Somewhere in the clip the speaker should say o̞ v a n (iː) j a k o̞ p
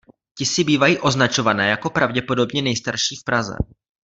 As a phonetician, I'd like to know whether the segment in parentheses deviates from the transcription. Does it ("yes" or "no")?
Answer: yes